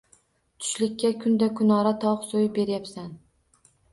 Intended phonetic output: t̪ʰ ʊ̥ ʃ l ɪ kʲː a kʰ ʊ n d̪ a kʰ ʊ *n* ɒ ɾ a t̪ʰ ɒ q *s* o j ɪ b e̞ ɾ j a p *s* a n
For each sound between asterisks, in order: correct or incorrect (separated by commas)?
correct, correct, correct